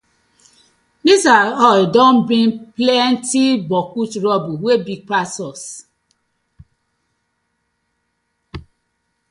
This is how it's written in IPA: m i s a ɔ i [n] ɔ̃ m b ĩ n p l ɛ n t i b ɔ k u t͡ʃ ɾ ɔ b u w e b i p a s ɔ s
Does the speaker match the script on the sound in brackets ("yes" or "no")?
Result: no